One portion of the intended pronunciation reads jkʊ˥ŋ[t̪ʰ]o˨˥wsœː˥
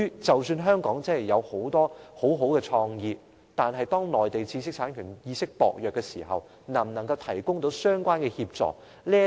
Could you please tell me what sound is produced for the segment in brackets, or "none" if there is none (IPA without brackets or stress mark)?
t̪